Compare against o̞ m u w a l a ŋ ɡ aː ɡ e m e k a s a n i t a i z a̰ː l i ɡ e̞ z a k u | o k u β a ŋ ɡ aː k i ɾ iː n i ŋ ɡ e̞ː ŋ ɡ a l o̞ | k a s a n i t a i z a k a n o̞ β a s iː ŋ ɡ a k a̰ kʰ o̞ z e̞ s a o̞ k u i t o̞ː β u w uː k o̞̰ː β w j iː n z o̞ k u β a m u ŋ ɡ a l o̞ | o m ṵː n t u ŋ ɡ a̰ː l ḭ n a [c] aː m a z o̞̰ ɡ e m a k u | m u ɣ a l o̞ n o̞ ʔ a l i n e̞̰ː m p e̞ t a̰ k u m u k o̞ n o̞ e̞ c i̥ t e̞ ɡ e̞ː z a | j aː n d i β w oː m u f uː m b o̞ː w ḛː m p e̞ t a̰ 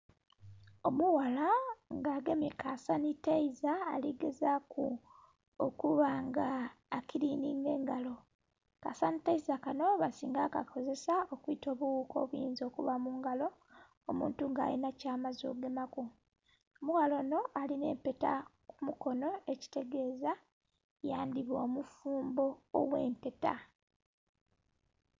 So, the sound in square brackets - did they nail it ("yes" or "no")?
yes